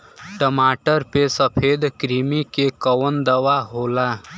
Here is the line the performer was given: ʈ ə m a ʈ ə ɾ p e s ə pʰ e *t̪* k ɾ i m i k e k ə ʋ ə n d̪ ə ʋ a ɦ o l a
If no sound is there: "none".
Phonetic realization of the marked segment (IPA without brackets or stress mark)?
d̪